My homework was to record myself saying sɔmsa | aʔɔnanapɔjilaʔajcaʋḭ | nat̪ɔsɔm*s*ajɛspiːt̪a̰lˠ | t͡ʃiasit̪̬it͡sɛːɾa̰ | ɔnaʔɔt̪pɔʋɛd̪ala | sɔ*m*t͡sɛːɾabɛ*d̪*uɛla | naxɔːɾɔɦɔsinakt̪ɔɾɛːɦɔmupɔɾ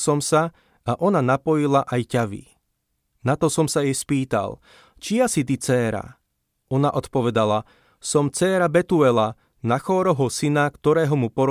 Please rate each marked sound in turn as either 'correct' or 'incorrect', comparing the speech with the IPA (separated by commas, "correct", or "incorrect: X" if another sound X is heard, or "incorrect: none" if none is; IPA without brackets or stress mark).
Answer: correct, correct, incorrect: t̪